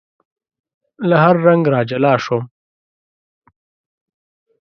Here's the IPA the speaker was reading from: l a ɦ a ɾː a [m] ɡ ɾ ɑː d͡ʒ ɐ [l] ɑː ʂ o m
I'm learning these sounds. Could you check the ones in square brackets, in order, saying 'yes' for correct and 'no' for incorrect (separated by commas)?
no, yes